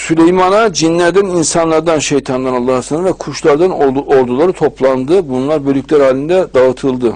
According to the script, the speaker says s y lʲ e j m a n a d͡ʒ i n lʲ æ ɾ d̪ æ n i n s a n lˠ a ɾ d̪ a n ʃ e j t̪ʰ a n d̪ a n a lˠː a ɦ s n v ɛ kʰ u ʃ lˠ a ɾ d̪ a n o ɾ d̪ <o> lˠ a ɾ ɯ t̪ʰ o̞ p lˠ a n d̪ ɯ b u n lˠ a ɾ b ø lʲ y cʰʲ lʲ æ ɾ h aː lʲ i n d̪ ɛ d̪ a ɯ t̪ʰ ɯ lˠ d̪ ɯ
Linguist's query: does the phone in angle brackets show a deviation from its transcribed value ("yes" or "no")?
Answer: yes